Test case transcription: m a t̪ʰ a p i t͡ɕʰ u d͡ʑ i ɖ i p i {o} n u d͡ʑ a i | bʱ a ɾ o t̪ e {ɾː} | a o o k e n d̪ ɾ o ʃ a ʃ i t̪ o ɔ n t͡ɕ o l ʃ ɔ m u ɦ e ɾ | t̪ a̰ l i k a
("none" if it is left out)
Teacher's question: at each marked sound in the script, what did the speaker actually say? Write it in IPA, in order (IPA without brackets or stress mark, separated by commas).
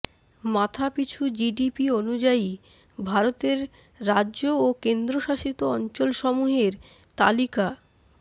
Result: o, ɾː